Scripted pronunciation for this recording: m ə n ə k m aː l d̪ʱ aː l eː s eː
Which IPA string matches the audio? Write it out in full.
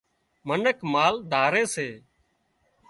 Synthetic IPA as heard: m ə n ə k m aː l d̪ʱ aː ɾ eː s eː